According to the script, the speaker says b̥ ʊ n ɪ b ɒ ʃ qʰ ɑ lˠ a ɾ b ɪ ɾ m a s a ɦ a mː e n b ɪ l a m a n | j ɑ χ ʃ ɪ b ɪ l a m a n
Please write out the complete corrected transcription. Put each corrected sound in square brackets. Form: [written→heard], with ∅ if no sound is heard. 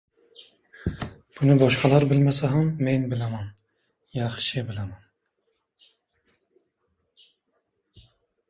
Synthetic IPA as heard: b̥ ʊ n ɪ b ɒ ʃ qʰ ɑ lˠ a ɾ b ɪ [ɾ→l] m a s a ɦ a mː e n b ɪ l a m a n | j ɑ χ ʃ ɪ b ɪ l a m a n

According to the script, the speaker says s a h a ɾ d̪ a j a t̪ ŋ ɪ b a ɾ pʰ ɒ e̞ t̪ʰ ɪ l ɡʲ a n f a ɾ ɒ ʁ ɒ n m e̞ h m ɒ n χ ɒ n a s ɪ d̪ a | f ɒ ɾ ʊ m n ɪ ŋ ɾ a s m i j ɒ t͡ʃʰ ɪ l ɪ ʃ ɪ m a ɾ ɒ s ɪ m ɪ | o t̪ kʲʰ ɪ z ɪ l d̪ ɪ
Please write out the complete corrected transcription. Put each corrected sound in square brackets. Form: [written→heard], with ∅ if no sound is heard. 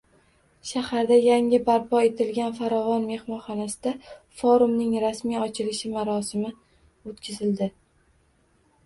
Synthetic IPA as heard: [s→ʃ] a h a ɾ d̪ a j a [t̪→∅] ŋ ɪ b a ɾ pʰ ɒ e̞ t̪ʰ ɪ l ɡʲ a n f a ɾ ɒ [ʁ→v] ɒ n m e̞ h m ɒ n χ ɒ n a s ɪ d̪ a | f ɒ ɾ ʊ m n ɪ ŋ ɾ a s m i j ɒ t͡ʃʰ ɪ l ɪ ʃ ɪ m a ɾ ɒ s ɪ m ɪ | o t̪ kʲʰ ɪ z ɪ l d̪ ɪ

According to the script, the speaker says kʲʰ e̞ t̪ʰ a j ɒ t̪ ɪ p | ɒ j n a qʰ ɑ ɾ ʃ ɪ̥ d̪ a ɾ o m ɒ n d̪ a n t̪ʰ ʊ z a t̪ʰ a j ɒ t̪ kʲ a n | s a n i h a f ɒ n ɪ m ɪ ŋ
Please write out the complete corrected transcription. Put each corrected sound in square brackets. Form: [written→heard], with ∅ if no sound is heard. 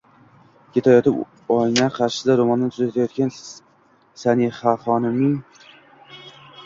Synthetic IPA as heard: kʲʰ e̞ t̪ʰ a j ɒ t̪ ɪ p | ɒ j n a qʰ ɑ ɾ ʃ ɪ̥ d̪ a ɾ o m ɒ n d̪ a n t̪ʰ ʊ z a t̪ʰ a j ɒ t̪ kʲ a n | s a n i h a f ɒ n ɪ m ɪ ŋ

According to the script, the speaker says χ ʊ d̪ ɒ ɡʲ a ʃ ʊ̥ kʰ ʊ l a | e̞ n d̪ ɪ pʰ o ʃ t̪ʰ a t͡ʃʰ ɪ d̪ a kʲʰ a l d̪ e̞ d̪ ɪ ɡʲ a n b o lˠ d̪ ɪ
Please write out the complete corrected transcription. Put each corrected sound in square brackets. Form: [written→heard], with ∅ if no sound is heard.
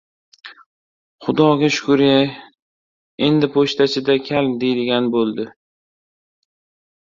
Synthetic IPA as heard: χ ʊ d̪ ɒ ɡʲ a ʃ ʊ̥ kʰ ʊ [l→ɾ] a | e̞ n d̪ ɪ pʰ o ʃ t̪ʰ a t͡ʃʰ ɪ d̪ a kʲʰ a l d̪ e̞ d̪ ɪ ɡʲ a n b o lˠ d̪ ɪ

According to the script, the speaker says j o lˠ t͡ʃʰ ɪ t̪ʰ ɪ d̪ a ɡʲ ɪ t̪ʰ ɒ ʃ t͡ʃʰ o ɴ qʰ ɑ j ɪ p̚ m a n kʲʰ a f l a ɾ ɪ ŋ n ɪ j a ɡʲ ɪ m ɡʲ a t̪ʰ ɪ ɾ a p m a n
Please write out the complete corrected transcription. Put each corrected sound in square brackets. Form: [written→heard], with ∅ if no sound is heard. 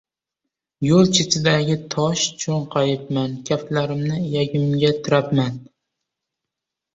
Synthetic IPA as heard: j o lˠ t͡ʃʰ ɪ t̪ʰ ɪ d̪ a ɡʲ ɪ t̪ʰ ɒ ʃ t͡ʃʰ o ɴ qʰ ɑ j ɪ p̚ m a n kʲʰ a f l a ɾ ɪ [ŋ→m] n ɪ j a ɡʲ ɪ m ɡʲ a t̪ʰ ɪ ɾ a p m a n

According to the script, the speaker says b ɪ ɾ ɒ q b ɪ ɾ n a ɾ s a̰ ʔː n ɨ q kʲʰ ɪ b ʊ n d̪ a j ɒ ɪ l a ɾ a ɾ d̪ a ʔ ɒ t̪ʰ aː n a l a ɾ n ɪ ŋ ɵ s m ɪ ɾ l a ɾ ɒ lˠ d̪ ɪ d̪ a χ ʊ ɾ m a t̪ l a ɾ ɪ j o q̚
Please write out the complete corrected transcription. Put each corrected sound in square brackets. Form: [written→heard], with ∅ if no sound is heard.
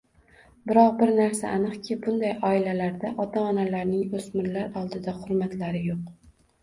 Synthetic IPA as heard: b ɪ ɾ ɒ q b ɪ ɾ n a ɾ s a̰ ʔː n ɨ q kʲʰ ɪ b ʊ n d̪ a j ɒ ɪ l a [ɾ→l] a ɾ d̪ a ʔ ɒ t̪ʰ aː n a l a ɾ n ɪ ŋ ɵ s m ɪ ɾ l a ɾ ɒ lˠ d̪ ɪ d̪ a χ ʊ ɾ m a t̪ l a ɾ ɪ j o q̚

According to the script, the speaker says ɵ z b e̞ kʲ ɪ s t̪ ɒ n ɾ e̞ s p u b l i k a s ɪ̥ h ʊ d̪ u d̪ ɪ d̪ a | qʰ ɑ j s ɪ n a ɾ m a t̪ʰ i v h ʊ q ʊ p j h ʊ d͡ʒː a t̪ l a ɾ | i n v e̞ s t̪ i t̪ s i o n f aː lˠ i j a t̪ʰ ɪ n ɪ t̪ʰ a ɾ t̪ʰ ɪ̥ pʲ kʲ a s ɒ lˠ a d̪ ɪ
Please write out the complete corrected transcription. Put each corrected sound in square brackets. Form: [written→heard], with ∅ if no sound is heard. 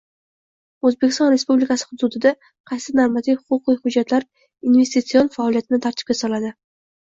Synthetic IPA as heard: ɵ z b e̞ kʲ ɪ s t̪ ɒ n ɾ e̞ s p u b l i k a s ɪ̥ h ʊ d̪ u d̪ ɪ d̪ a | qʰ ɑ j s ɪ n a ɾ m a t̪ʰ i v h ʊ q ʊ [p→q] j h ʊ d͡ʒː a t̪ l a ɾ | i n v e̞ s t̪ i t̪ s i o n f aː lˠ i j a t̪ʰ ɪ n ɪ t̪ʰ a ɾ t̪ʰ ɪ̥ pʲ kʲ a s ɒ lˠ a d̪ ɪ

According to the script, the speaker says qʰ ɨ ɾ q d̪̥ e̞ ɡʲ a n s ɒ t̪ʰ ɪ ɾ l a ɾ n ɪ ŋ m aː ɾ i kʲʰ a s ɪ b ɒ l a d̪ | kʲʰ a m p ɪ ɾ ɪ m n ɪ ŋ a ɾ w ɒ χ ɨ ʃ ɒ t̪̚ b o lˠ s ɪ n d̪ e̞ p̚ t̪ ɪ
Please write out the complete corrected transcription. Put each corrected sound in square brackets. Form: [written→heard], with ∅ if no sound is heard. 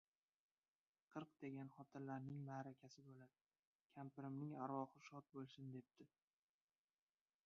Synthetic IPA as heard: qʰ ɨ ɾ q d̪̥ e̞ ɡʲ a n [s→χ] ɒ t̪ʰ ɪ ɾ l a ɾ n ɪ ŋ m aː ɾ [i→a] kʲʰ a s ɪ b [ɒ→o] l a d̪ | kʲʰ a m p ɪ ɾ ɪ m n ɪ ŋ a ɾ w ɒ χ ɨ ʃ ɒ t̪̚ b o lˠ s ɪ n d̪ e̞ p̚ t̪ ɪ

